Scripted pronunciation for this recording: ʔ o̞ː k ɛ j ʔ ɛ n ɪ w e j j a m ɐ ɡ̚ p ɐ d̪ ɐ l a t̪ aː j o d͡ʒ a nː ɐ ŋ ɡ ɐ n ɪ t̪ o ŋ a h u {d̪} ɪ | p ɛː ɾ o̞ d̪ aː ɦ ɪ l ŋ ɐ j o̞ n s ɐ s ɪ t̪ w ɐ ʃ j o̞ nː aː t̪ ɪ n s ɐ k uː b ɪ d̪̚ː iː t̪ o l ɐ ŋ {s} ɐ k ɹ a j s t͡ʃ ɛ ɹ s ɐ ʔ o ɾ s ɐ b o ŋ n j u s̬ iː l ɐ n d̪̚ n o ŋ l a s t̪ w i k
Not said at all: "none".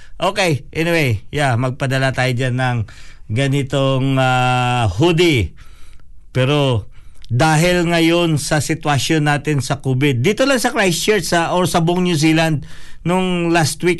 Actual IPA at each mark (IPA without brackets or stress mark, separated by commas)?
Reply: d̪, s